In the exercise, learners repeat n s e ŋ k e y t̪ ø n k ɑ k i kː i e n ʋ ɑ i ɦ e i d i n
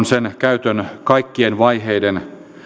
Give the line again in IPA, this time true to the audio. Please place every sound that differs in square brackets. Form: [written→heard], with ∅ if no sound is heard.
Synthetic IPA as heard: n s e [ŋ→n] k [e→æ] y t̪ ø n k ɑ [k→∅] i kː i e n ʋ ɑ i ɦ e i d [i→e] n

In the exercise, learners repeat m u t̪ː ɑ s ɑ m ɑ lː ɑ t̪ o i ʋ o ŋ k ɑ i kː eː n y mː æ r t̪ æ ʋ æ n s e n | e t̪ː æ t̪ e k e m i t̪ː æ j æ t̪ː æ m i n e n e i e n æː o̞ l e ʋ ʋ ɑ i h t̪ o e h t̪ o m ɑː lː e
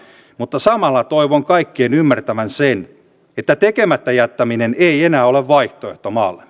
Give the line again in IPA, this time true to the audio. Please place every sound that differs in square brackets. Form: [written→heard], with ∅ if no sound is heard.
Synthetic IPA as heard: m u t̪ː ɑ s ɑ m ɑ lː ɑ t̪ o i ʋ o ŋ k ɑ i kː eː n y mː æ r t̪ æ ʋ æ n s e n | e t̪ː æ t̪ e k e m [i→æ] t̪ː æ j æ t̪ː æ m i n e n e i e n æː o̞ l e ʋ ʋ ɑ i h t̪ o e h t̪ o m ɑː lː e

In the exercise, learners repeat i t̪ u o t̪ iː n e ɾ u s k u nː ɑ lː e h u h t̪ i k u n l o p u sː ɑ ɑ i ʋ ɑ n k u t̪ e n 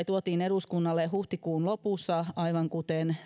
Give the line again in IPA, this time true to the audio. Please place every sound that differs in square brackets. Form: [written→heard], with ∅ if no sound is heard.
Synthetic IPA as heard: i t̪ u o t̪ iː n e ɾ u s k u nː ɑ lː e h u h t̪ i k [u→uː] n l o p u sː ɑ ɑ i ʋ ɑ [n→ŋ] k u t̪ e n

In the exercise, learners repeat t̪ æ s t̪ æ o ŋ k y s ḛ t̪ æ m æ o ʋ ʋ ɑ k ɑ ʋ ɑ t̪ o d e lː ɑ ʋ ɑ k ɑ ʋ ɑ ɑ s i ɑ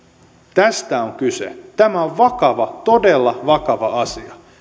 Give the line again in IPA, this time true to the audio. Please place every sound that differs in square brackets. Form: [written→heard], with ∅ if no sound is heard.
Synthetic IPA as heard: t̪ æ s t̪ æ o ŋ k y s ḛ t̪ æ m æ o ʋ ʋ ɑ k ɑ ʋ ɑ t̪ o d e lː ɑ ʋ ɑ k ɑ ʋ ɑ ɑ s i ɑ

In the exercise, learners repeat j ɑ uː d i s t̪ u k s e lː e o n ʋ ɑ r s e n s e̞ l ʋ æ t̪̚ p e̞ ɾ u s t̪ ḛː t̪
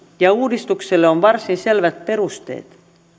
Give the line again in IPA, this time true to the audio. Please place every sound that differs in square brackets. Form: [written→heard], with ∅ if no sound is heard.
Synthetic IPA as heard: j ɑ uː d i s t̪ u k s e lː e o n ʋ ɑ r s [e→i] n s e̞ l ʋ æ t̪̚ p e̞ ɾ u s t̪ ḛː t̪

